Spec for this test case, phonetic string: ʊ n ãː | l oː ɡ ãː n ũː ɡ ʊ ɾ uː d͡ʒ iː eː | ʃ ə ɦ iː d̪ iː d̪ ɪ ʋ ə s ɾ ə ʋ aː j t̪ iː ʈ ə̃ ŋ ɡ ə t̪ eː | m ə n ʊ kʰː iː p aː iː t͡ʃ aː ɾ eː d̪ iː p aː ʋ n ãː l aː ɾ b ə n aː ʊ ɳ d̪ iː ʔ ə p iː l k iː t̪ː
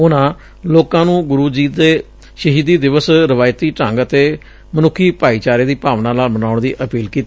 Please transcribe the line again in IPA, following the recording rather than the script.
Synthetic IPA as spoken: ʊ n ãː | l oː k ãː n ũː ɡ ʊ ɾ uː d͡ʒ iː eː | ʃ ə ɦ iː d̪ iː d̪ ɪ ʋ ə s ɾ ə ʋ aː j t̪ iː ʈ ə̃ ŋ ɡ ə t̪ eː | m ə n ʊ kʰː iː p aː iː t͡ʃ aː ɾ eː d̪ iː p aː ʋ n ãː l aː l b ə n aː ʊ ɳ d̪ iː ʔ ə p iː l k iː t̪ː